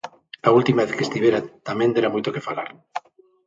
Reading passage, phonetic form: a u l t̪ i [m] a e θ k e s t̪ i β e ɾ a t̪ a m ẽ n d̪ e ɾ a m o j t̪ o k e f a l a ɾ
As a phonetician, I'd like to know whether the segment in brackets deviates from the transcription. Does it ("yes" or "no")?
no